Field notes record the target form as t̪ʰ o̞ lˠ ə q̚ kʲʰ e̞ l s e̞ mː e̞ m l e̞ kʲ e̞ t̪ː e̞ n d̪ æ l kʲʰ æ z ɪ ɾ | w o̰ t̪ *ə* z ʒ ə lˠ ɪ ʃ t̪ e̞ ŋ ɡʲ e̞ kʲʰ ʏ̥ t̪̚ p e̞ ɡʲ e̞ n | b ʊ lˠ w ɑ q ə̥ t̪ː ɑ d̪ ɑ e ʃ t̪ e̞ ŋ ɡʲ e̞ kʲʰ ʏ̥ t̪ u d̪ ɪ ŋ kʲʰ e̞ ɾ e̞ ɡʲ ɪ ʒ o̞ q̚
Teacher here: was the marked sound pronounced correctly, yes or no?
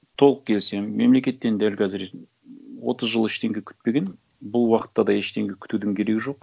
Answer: yes